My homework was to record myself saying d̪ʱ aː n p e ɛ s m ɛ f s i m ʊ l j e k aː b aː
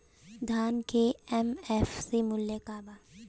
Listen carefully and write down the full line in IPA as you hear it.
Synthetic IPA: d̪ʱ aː n k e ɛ m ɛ f s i m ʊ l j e k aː b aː